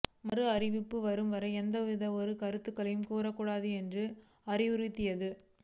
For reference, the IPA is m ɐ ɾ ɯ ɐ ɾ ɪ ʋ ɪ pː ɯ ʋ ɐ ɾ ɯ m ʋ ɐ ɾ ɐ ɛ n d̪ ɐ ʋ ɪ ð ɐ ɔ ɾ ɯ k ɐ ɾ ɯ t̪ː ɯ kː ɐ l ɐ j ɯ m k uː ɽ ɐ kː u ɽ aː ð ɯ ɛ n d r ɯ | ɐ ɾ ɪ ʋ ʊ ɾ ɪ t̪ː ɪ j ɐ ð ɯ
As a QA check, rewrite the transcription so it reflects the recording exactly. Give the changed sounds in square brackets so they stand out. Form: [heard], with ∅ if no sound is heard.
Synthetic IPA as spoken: m ɐ ɾ ɯ ɐ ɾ ɪ ʋ ɪ pː ɯ ʋ ɐ ɾ ɯ m ʋ ɐ ɾ ɐ ɛ n d̪ ɐ ʋ ɪ ð ɐ ɔ ɾ ɯ k ɐ ɾ ɯ t̪ː ɯ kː ɐ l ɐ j ɯ m k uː [ɾ] ɐ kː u ɽ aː ð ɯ ɛ n d r ɯ | ɐ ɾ ɪ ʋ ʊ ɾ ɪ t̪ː ɪ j ɐ ð ɯ